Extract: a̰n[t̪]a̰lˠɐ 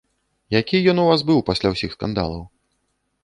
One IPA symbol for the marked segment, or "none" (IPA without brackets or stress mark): d̪